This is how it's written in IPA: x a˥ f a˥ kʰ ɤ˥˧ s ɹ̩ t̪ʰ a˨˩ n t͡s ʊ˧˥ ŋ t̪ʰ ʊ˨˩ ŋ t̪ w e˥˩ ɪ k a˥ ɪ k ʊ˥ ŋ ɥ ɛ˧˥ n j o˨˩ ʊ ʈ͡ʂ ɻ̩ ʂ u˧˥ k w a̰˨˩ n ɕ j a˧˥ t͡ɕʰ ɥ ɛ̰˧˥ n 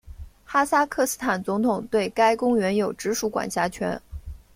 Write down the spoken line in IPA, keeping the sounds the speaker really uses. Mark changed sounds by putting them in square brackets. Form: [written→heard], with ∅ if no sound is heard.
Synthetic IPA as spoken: x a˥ [f→s] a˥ kʰ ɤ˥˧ s ɹ̩ t̪ʰ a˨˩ n t͡s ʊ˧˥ ŋ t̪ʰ ʊ˨˩ ŋ t̪ w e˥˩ ɪ k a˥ ɪ k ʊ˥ ŋ ɥ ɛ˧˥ n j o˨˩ ʊ ʈ͡ʂ ɻ̩ ʂ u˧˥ k w a̰˨˩ n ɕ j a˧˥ t͡ɕʰ ɥ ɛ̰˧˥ n